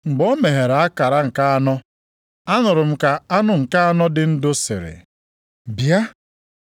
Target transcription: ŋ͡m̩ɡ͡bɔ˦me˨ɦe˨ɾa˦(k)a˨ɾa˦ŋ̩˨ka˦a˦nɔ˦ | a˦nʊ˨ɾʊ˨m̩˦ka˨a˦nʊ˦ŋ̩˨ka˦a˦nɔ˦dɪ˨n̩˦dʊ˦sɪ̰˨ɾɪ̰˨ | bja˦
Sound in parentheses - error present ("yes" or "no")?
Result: no